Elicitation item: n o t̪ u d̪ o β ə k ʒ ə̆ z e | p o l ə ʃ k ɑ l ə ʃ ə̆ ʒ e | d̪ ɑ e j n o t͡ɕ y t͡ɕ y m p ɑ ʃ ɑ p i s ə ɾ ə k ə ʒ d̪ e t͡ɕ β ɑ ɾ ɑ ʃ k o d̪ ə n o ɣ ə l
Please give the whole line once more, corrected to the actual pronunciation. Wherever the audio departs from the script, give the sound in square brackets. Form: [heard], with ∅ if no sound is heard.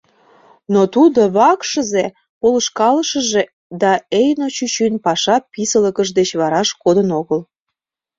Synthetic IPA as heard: n o t̪ u d̪ o β [ɑ] k [ʃ] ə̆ z e | p o l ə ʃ k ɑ l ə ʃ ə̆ ʒ e | d̪ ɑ e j n o t͡ɕ y t͡ɕ y [n] p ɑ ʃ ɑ p i s ə [l] ə k ə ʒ d̪ e t͡ɕ β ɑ ɾ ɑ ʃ k o d̪ ə n o ɣ ə l